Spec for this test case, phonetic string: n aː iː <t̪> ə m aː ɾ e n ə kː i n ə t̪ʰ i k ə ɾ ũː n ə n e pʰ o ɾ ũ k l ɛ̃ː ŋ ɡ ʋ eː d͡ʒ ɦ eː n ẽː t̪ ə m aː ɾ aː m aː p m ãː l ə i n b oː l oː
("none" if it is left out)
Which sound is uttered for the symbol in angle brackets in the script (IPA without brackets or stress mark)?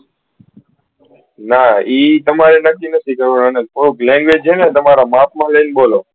t̪